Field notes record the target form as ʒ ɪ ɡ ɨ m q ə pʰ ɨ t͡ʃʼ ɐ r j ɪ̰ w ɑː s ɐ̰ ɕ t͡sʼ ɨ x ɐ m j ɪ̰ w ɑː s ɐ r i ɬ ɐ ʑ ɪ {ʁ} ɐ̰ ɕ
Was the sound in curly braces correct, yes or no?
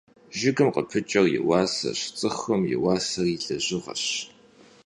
yes